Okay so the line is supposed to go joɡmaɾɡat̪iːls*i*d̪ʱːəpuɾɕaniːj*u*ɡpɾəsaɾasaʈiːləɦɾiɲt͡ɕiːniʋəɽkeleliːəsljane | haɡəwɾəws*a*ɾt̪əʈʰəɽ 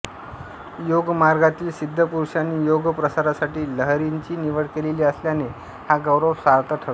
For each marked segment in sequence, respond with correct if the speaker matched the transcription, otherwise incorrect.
correct, incorrect: o, correct

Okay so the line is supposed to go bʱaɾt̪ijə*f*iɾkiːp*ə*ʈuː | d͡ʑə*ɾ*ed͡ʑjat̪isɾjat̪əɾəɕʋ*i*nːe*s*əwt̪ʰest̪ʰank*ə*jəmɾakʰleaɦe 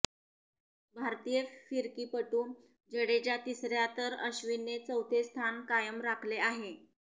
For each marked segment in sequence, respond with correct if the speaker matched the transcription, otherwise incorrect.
correct, correct, incorrect: ɽ, correct, incorrect: t͡s, incorrect: a

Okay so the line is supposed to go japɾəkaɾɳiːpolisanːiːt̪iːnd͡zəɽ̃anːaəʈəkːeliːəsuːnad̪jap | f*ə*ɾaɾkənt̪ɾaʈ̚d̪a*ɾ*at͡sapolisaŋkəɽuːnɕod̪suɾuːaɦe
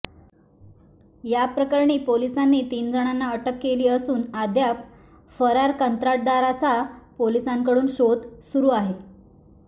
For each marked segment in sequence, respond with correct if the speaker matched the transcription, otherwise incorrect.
correct, correct

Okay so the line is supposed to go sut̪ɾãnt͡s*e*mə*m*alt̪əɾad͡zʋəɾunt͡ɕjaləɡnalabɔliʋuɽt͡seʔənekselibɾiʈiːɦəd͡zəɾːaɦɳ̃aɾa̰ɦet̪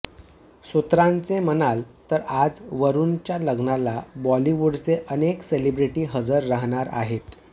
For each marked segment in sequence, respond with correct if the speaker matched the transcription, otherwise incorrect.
correct, incorrect: n

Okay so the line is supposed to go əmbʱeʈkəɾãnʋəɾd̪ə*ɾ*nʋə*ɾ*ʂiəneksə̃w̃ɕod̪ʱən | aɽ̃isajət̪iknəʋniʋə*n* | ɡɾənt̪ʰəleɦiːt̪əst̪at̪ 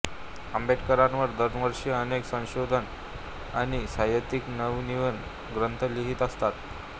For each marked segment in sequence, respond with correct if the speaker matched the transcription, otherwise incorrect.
correct, correct, correct

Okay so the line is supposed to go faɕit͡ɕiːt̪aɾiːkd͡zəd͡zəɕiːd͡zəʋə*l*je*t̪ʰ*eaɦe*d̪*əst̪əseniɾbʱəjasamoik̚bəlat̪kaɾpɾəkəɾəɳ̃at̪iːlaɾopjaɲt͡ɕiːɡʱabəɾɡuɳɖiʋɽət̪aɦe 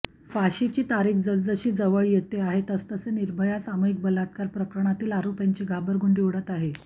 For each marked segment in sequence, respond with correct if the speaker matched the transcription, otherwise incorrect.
incorrect: ɭ, incorrect: t̪, incorrect: t̪

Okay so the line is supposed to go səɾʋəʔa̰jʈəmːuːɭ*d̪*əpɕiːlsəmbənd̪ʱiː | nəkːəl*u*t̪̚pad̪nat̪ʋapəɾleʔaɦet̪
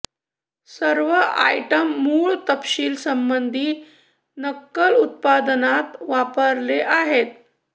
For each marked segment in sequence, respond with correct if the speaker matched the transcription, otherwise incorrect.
incorrect: t̪, correct

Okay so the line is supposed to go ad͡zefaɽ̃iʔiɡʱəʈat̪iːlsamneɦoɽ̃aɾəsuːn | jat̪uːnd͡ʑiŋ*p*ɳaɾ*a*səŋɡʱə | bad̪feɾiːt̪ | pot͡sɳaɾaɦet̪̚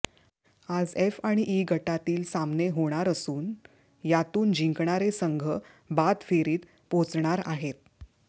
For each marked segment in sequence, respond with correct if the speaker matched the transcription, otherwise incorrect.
incorrect: k, incorrect: e

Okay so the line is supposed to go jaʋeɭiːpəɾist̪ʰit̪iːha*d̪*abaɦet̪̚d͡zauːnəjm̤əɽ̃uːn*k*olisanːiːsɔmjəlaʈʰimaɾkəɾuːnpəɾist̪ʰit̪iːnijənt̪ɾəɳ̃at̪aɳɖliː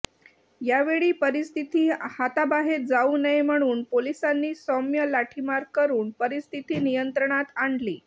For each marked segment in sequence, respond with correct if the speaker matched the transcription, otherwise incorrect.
incorrect: t̪, incorrect: p

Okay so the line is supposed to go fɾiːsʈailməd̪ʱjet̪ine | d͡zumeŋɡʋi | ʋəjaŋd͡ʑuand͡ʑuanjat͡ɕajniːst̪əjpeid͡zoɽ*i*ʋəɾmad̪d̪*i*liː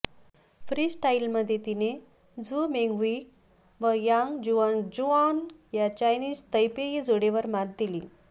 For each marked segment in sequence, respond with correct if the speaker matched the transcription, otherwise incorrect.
incorrect: e, correct

